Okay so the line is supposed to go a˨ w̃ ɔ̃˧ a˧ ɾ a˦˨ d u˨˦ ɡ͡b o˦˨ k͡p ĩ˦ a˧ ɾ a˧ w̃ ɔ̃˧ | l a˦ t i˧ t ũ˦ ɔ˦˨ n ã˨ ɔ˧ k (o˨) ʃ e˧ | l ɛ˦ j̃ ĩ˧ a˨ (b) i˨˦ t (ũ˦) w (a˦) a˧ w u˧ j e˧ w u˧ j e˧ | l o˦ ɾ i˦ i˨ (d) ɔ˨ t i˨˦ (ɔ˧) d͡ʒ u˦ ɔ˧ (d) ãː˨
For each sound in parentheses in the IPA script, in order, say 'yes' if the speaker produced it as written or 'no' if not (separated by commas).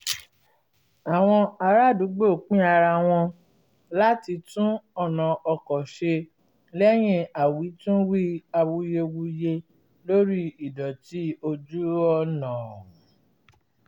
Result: no, no, yes, no, yes, no, no